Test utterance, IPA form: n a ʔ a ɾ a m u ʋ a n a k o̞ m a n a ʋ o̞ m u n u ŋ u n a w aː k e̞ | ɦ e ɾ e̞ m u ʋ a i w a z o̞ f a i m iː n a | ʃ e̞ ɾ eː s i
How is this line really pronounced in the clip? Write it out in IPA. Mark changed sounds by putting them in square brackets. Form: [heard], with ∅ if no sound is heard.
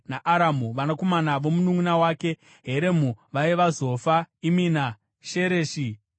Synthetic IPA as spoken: n a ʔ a ɾ a m u ʋ a n a k o̞ m a n a ʋ o̞ m u n u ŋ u n a w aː k e̞ | ɦ e ɾ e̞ m u ʋ a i [ʋ] a z o̞ f a i m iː n a | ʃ e̞ ɾ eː [ʃ] i